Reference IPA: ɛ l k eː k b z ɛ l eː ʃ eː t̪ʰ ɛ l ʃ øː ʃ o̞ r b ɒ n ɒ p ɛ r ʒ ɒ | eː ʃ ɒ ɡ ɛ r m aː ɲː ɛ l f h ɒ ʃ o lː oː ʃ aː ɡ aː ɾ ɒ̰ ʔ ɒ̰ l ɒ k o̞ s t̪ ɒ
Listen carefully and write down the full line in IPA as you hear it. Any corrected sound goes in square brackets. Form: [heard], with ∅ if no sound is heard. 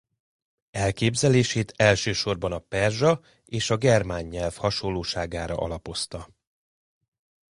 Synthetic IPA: ɛ l k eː [∅] b z ɛ l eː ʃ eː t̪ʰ ɛ l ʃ øː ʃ o̞ r b ɒ n ɒ p ɛ r ʒ ɒ | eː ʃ ɒ ɡ ɛ r m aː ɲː ɛ l f h ɒ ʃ o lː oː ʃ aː ɡ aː ɾ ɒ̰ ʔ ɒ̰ l ɒ [p] o̞ s t̪ ɒ